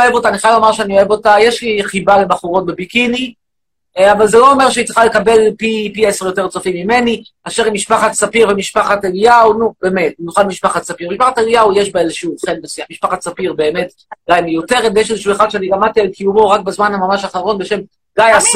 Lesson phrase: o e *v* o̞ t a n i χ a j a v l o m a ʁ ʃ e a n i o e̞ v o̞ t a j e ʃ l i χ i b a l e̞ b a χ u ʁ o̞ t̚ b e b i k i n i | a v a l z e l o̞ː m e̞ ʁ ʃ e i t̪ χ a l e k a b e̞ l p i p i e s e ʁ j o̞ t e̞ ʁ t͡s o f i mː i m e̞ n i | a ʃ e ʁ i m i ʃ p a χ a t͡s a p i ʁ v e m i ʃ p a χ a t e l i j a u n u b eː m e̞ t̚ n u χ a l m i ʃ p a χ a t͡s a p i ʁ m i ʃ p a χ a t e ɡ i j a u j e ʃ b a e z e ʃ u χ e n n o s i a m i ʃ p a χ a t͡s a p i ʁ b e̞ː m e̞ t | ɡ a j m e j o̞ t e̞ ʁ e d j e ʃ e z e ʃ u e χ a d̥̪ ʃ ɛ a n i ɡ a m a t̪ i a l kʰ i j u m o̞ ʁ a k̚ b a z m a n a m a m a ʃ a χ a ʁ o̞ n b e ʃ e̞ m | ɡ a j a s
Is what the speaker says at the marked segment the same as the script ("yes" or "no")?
yes